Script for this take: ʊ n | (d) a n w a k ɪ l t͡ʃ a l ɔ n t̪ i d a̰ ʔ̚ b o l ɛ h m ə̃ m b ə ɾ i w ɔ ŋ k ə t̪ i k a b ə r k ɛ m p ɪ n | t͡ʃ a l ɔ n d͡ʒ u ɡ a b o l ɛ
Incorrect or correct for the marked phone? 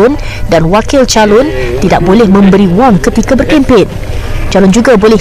correct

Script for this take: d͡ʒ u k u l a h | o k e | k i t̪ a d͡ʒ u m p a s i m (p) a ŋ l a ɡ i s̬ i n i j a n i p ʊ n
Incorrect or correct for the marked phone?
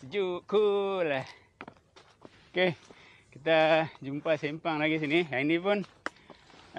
correct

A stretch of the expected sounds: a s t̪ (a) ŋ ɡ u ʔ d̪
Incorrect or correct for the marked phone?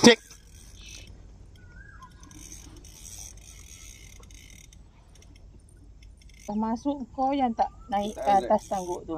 correct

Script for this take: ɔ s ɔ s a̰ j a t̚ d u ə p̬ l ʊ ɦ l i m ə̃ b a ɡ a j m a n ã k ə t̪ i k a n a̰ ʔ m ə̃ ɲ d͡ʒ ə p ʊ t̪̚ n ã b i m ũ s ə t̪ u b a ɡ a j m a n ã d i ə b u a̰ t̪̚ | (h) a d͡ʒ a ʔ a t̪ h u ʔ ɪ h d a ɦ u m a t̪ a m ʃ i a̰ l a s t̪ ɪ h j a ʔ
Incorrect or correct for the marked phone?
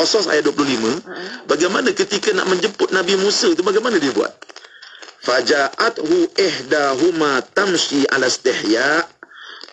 incorrect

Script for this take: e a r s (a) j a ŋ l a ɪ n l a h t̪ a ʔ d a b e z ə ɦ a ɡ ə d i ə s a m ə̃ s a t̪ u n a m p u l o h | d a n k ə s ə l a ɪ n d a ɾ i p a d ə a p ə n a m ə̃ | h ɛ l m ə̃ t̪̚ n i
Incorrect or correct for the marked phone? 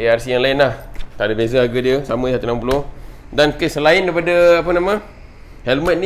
incorrect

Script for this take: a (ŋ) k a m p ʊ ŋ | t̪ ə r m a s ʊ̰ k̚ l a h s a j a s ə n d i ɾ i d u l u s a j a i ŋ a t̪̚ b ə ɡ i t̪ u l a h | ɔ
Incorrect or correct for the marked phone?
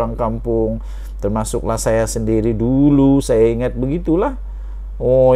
correct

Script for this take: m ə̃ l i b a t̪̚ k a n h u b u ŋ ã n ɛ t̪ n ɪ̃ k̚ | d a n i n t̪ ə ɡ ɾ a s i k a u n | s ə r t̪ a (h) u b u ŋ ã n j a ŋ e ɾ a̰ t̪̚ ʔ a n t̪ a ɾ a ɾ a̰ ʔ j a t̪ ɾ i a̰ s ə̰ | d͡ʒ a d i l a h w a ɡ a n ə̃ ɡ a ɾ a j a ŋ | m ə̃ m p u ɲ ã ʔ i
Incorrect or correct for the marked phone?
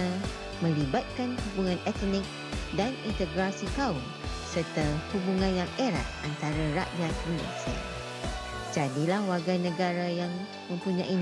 correct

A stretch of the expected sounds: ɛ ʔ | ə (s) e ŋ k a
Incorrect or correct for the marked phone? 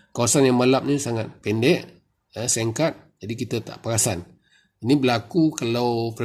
correct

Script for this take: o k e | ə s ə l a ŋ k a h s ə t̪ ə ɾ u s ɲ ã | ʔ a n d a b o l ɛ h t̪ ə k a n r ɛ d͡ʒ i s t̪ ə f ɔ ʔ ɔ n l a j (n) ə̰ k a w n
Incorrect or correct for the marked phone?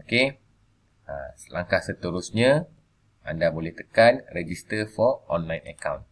correct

